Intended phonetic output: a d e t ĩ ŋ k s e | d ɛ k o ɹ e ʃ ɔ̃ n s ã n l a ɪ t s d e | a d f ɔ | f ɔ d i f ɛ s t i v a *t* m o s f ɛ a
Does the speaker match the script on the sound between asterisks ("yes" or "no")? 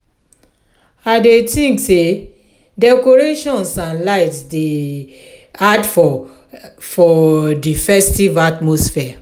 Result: yes